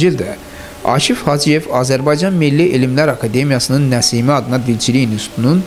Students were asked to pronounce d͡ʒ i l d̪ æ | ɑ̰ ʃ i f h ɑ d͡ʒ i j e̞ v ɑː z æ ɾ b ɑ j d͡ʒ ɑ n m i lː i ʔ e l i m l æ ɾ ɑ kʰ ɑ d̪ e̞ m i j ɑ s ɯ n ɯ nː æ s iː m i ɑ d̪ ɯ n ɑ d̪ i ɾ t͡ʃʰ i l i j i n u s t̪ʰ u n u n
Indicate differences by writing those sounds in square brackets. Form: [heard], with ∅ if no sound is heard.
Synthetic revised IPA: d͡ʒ i l d̪ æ | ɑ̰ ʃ i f h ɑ d͡ʒ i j e̞ v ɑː z æ ɾ b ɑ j d͡ʒ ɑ n m i lː i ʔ e l i m l æ ɾ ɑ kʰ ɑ d̪ e̞ m i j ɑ s ɯ n ɯ nː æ s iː m i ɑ d̪ ɯ n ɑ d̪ i [l] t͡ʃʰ i l i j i n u s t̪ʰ u n u n